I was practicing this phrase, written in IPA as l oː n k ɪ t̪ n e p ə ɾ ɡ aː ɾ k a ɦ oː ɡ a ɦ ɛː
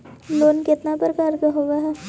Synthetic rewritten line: l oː n k ɪ t̪ n a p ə ɾ k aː ɾ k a ɦ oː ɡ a ɦ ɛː